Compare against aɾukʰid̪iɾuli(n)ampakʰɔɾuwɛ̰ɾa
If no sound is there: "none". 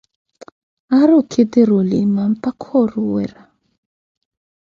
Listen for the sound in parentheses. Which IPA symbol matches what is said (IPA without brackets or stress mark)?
m